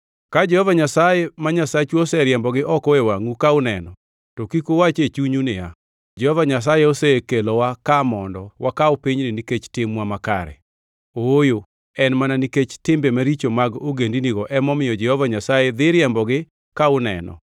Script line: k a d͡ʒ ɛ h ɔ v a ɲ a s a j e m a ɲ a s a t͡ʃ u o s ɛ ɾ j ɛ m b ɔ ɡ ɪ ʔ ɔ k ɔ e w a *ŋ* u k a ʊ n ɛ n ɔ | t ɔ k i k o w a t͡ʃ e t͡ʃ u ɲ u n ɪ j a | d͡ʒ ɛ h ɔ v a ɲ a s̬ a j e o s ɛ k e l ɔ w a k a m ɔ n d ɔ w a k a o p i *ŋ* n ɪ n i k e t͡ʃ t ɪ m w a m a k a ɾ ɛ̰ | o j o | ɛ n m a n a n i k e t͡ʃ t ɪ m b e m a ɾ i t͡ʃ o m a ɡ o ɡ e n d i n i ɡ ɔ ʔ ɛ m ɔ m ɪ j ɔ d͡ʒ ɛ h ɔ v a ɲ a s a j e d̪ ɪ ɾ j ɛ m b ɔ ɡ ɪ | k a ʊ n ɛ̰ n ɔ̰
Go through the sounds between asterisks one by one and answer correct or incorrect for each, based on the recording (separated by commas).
correct, incorrect